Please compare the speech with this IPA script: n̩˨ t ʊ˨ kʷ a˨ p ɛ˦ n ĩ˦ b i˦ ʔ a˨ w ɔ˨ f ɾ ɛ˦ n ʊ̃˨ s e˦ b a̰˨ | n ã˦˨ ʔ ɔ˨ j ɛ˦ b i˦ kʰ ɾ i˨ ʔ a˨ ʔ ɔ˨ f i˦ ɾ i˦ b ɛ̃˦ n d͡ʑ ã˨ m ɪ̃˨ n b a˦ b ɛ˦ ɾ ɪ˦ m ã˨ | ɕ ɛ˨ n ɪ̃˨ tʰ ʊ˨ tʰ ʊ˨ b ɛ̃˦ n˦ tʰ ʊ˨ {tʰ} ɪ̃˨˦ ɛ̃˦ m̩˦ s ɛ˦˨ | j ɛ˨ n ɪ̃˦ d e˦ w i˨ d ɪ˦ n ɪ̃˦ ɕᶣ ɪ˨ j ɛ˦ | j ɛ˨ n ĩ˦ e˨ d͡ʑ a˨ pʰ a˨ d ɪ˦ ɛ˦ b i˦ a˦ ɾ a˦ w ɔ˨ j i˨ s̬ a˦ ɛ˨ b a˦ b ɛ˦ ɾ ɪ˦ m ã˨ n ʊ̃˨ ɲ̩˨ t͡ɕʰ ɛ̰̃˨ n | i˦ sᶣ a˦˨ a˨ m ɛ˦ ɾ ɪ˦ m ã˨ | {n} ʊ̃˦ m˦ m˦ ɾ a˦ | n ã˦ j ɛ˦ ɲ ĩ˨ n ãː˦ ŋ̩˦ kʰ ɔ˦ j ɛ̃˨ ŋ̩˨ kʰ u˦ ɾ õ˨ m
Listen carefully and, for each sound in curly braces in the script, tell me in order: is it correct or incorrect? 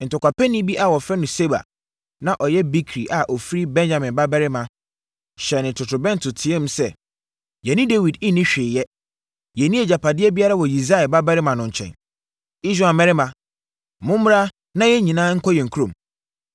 correct, incorrect: m

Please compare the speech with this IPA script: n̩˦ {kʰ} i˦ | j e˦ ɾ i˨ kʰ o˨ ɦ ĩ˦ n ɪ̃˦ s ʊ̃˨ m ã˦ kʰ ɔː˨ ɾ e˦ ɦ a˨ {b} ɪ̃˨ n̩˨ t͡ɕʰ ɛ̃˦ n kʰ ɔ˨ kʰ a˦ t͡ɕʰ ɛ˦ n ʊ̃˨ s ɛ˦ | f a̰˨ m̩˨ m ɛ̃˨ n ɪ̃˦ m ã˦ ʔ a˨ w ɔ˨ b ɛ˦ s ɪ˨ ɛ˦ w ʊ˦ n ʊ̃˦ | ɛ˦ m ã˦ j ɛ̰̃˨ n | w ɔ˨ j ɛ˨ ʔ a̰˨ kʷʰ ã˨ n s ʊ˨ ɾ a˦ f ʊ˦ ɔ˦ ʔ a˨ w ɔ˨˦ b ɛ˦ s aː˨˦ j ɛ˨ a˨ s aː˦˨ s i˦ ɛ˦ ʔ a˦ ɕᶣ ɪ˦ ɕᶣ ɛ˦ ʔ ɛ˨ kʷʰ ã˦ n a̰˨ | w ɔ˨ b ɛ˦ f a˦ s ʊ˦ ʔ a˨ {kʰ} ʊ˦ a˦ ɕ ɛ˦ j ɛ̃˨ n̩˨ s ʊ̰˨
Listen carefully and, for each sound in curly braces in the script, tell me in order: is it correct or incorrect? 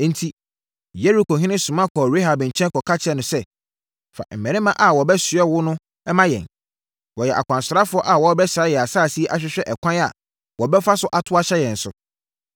incorrect: tʰ, correct, incorrect: tʰ

